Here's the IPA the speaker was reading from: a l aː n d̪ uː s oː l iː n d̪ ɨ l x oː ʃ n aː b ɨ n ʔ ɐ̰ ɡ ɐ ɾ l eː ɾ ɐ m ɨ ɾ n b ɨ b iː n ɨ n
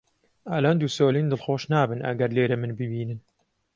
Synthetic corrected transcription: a l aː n d̪ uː s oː l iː n d̪ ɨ l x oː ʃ n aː b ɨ n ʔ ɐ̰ ɡ ɐ ɾ l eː ɾ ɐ m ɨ n b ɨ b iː n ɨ n